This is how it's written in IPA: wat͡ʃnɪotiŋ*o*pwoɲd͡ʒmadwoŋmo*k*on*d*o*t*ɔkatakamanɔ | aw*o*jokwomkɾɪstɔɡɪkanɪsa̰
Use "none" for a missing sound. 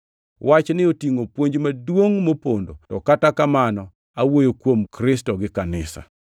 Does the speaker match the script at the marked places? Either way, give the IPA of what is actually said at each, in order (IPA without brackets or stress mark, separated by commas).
o, p, d, t, o